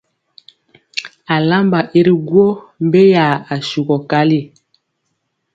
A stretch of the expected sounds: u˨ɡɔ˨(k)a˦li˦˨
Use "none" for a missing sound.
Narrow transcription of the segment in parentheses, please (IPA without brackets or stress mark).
k